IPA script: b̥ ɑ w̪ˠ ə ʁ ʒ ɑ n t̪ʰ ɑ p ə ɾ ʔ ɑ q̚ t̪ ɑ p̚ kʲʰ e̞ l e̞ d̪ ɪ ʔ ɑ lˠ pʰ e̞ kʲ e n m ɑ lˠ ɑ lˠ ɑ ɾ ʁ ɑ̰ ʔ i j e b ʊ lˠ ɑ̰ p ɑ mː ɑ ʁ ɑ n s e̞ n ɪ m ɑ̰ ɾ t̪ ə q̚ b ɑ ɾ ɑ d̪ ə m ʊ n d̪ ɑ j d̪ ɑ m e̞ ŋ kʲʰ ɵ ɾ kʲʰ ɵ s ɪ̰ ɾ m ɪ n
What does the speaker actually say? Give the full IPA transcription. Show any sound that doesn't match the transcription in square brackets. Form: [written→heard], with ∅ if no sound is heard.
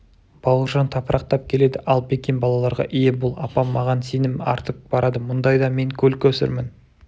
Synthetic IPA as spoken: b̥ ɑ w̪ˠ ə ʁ ʒ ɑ n t̪ʰ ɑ p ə ɾ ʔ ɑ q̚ t̪ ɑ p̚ kʲʰ e̞ l e̞ d̪ ɪ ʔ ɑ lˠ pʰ e̞ kʲ e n [m→b] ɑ lˠ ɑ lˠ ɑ ɾ ʁ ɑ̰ ʔ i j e b ʊ lˠ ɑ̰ p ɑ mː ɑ ʁ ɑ n s e̞ n ɪ m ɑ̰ ɾ t̪ ə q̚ b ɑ ɾ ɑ d̪ ə m ʊ n d̪ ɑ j d̪ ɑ m e̞ ŋ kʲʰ ɵ [ɾ→l] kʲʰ ɵ s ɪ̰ ɾ m ɪ n